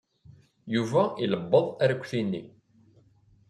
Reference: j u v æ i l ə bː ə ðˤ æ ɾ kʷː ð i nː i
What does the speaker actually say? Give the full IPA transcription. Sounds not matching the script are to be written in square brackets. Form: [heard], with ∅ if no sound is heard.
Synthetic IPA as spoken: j u v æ i l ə bː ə ðˤ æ ɾ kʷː [θ] i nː i